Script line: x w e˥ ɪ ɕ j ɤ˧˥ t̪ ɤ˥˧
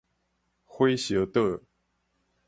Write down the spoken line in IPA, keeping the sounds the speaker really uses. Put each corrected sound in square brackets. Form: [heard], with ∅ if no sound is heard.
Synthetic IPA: x w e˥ ɪ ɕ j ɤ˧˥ t̪ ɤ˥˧

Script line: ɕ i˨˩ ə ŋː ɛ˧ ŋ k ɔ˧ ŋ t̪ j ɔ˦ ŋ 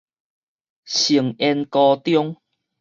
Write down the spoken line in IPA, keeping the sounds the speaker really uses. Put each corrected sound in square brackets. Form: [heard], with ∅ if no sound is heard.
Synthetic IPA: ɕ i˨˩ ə [ŋ] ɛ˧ [n] k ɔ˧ [∅] t̪ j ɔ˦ ŋ

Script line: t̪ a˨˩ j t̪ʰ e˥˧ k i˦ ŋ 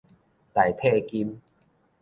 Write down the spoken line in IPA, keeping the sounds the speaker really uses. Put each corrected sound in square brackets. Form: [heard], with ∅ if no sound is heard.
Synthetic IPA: t̪ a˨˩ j t̪ʰ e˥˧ k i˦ [m]

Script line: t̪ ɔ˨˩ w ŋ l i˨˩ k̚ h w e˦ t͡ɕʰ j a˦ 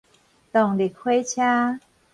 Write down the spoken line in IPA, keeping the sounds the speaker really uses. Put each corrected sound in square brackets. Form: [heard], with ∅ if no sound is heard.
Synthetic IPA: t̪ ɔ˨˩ [∅] ŋ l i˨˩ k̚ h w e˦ t͡ɕʰ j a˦

